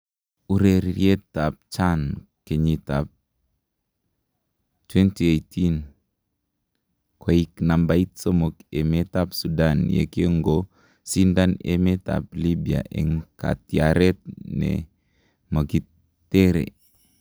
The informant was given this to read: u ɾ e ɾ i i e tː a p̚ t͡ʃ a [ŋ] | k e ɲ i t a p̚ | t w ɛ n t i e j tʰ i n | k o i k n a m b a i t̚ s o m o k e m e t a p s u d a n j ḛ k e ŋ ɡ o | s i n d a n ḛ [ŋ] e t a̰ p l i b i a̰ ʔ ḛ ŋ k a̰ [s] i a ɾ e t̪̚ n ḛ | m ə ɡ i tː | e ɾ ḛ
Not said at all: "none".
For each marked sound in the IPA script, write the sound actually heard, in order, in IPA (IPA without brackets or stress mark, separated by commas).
n, m, t